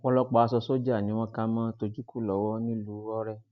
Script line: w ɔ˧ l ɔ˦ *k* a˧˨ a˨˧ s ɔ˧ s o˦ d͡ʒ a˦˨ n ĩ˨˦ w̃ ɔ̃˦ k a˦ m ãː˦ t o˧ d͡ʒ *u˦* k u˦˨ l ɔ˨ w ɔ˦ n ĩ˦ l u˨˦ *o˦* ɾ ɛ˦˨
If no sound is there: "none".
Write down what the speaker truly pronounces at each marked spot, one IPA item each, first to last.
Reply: k͡p, u˦, ɔ˦

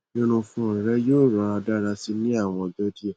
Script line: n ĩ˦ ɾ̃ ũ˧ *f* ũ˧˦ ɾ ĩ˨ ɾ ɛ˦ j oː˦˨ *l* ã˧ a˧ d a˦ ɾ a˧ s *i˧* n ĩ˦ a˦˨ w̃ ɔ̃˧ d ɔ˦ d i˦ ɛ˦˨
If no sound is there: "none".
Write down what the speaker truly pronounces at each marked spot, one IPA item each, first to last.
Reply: f, ɾ, i˧

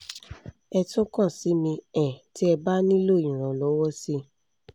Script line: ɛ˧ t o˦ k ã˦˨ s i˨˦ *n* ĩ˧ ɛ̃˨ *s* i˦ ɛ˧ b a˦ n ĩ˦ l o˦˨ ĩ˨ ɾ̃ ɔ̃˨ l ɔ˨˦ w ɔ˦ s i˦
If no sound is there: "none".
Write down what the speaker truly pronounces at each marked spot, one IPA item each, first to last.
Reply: m, t

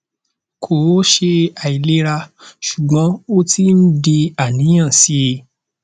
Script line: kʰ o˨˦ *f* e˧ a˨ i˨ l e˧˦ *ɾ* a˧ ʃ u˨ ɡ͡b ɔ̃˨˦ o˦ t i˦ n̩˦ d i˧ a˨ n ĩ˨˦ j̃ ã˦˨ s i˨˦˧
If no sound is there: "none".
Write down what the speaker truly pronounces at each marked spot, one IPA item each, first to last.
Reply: ʃ, ɾ

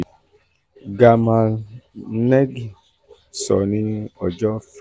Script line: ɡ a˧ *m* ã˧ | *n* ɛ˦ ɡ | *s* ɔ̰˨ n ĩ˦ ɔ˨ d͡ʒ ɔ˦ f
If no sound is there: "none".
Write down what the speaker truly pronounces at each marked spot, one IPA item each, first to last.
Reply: m, n, s

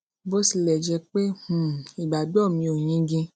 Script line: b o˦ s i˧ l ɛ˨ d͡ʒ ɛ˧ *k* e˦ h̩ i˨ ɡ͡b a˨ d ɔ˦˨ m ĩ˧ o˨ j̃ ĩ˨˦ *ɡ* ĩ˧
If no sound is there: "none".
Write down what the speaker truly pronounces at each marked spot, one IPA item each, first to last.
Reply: k͡p, ɡ

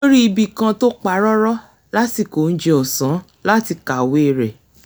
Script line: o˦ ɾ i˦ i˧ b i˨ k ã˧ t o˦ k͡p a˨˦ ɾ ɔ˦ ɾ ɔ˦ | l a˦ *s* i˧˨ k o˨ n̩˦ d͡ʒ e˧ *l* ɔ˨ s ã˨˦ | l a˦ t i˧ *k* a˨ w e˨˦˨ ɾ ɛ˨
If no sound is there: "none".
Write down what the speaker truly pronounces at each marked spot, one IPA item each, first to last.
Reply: t, none, k

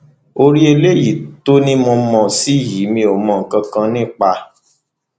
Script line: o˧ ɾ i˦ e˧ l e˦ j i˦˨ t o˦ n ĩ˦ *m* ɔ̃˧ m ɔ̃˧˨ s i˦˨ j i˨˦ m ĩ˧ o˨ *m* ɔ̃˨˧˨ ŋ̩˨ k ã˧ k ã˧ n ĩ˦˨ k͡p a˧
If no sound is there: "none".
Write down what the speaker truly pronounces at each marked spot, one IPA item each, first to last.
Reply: m, m

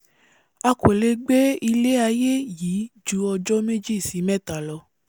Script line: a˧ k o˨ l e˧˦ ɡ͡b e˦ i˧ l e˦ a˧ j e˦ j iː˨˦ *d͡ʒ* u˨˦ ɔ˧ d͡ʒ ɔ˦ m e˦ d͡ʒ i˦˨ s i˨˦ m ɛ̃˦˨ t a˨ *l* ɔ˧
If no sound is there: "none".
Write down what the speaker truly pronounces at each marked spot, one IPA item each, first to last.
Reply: d͡ʒ, l

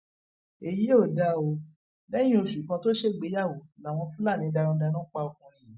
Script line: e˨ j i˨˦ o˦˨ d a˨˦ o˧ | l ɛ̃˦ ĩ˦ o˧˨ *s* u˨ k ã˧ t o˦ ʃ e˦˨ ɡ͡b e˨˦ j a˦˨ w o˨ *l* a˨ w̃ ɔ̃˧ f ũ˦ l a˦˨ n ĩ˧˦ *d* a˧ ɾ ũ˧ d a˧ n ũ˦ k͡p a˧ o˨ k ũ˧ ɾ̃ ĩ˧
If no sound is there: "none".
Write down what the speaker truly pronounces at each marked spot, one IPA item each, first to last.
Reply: ʃ, l, d

